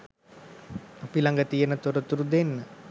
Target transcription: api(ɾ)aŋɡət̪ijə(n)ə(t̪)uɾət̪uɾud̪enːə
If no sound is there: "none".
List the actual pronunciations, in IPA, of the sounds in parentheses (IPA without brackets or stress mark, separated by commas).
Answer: l, n, t̪